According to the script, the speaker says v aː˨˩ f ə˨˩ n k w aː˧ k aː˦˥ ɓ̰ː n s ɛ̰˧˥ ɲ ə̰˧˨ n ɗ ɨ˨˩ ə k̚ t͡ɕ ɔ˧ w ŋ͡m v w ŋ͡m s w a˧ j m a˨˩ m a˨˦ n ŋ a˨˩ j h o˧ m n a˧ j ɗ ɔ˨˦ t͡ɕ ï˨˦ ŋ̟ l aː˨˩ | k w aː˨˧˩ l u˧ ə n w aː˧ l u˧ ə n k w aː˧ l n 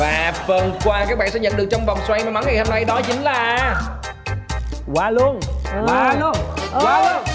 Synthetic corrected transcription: v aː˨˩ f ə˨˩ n k w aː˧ k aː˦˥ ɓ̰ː n s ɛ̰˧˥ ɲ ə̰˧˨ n ɗ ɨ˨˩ ə k̚ t͡ɕ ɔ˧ w ŋ͡m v w ŋ͡m s w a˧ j m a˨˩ m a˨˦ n ŋ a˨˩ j h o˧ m n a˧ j ɗ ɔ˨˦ t͡ɕ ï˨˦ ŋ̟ l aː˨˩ | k w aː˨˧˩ l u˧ ə n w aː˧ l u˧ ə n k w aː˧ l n

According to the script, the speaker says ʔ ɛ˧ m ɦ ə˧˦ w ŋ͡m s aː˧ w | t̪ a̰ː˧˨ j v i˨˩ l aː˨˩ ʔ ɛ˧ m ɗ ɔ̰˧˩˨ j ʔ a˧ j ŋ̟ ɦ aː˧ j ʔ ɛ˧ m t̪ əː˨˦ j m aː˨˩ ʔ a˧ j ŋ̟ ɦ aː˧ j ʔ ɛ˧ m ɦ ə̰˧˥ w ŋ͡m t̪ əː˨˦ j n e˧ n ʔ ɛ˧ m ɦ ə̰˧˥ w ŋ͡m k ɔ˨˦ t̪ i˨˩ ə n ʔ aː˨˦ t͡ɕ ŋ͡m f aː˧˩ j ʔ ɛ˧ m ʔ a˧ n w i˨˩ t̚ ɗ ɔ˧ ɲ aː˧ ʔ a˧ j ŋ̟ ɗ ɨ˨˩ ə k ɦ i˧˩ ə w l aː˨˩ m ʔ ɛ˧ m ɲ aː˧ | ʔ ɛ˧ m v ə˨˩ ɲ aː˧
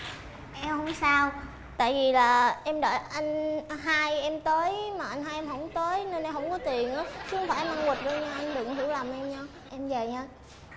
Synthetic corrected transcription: ʔ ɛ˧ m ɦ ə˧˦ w ŋ͡m s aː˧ w | t̪ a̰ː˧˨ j v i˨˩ l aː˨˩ ʔ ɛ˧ m ɗ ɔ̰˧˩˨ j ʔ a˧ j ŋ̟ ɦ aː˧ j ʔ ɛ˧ m t̪ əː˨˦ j m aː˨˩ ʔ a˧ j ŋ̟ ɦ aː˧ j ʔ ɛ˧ m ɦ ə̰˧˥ w ŋ͡m t̪ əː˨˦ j n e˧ n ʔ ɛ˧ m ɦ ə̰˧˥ w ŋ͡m k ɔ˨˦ t̪ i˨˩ ə n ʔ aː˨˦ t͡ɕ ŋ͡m f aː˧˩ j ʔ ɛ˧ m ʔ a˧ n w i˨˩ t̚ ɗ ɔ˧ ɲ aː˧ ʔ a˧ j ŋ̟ ɗ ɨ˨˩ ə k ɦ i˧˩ ə w l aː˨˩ m ʔ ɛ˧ m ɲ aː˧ | ʔ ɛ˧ m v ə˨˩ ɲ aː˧

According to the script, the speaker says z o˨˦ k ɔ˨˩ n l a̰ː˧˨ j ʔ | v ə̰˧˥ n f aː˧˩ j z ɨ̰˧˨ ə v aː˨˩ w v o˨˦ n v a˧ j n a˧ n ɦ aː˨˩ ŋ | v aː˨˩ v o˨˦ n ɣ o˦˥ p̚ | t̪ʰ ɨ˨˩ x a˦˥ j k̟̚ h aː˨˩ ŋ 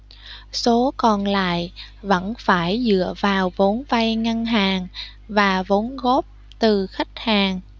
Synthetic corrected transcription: s o˨˦ k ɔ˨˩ n l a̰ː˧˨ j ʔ | v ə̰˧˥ n f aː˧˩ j z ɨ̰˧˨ ə v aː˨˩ w v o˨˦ n v a˧ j ŋ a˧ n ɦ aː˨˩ ŋ | v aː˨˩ v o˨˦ n ɣ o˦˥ p̚ | t̪ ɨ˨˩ x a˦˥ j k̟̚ h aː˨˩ ŋ

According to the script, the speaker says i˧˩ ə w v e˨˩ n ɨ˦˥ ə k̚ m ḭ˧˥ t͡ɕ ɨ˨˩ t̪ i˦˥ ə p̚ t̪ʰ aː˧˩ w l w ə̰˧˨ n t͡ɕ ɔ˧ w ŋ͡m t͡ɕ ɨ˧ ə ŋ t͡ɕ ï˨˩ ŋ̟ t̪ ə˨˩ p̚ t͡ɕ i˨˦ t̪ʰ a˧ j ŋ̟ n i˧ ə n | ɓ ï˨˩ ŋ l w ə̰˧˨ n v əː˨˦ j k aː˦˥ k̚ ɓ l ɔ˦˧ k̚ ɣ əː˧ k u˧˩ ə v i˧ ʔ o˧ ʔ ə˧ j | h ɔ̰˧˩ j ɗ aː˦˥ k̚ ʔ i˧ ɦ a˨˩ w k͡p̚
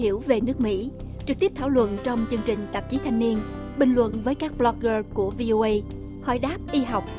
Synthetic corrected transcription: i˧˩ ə w v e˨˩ n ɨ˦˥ ə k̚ m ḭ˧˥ t͡ɕ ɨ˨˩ t̪ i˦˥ ə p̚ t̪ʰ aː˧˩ w l w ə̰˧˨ n t͡ɕ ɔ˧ w ŋ͡m t͡ɕ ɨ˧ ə ŋ t͡ɕ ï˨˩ ŋ̟ t̪ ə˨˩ p̚ t͡ɕ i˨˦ t̪ʰ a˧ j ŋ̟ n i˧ ə n | ɓ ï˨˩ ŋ l w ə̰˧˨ n v əː˨˦ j k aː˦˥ k̚ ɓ l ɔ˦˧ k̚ ɣ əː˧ k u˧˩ ə v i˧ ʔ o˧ ʔ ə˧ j | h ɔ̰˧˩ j ɗ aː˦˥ p̚ ʔ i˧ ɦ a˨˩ w k͡p̚

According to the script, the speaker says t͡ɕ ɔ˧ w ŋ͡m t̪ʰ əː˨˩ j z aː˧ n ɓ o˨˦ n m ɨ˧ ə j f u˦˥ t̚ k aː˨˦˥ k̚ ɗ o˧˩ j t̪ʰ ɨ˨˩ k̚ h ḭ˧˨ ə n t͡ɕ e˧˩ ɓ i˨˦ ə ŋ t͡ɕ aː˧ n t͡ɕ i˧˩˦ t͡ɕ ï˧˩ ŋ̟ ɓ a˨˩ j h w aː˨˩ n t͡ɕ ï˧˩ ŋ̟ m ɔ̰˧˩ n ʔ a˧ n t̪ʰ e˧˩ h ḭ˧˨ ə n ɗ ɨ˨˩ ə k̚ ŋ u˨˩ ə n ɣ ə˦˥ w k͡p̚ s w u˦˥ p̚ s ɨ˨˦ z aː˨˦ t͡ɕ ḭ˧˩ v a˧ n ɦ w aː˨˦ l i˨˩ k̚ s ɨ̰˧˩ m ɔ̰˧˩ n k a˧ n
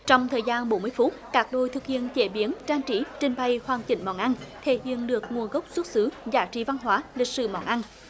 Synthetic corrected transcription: t͡ɕ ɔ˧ w ŋ͡m t̪ʰ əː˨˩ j z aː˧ n ɓ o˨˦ n m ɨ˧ ə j f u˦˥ t̚ k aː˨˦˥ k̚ ɗ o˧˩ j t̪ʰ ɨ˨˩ k̚ h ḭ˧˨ ə n t͡ɕ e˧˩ ɓ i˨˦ ə n t͡ɕ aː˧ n t͡ɕ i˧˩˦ t͡ɕ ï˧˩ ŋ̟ ɓ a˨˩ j h w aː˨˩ n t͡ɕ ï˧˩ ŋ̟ m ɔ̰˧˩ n ʔ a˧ n t̪ʰ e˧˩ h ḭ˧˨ ə n ɗ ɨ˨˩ ə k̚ ŋ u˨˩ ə n ɣ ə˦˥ w k͡p̚ s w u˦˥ t̚ s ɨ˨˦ z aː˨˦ t͡ɕ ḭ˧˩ v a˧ n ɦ w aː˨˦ l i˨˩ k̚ s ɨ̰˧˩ m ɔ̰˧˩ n ʔ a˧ n

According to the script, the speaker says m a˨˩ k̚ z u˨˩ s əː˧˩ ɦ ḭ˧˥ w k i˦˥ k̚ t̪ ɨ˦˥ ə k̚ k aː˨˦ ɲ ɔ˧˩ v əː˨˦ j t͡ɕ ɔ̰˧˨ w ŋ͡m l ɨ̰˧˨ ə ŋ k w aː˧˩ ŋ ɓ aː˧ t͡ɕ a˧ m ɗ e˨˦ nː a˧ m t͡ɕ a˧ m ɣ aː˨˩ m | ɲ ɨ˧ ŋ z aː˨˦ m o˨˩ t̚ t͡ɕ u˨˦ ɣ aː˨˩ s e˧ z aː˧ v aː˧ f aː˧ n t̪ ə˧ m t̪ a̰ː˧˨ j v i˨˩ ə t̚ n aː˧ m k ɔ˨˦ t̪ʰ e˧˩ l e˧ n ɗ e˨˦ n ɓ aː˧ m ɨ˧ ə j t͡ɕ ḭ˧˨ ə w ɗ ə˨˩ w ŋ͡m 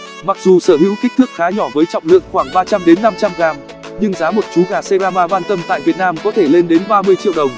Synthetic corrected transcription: m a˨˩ k̚ z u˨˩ s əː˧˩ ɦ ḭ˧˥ w k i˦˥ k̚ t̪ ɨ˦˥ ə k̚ x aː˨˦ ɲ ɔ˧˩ v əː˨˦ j t͡ɕ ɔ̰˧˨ w ŋ͡m l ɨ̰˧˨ ə ŋ x w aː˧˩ ŋ ɓ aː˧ t͡ɕ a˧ m ɗ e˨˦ nː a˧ m t͡ɕ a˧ m ɣ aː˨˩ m | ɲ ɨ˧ ŋ z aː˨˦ m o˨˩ t̚ t͡ɕ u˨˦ ɣ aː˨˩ s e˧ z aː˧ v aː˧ v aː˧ n t̪ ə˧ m t̪ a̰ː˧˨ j v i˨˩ ə t̚ n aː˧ m k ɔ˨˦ t̪ʰ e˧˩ l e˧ n ɗ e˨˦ n ɓ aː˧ m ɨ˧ ə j t͡ɕ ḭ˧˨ ə w ɗ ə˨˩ w ŋ͡m

